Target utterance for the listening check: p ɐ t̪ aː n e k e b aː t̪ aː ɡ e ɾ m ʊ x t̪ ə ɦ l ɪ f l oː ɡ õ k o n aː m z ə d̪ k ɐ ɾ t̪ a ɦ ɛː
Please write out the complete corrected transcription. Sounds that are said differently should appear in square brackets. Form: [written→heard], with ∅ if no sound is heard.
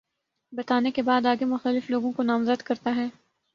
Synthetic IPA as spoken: [p→b] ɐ t̪ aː n e k e b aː [t̪→d̪] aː ɡ e [ɾ→∅] m ʊ x t̪ ə [ɦ→∅] l ɪ f l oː ɡ õ k o n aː m z ə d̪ k ɐ ɾ t̪ a ɦ ɛː